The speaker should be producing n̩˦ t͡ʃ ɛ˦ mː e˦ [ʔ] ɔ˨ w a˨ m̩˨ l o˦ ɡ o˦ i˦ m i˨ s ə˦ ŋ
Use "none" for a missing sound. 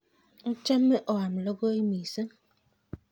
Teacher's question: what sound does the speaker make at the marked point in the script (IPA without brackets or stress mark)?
ʔ